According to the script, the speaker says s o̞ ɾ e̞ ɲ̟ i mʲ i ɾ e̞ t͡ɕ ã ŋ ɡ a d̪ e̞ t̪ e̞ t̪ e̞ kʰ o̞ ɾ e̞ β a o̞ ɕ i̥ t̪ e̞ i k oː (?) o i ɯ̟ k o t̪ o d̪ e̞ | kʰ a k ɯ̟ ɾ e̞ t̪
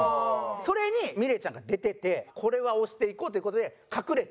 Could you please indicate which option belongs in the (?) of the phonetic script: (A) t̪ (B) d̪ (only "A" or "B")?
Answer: A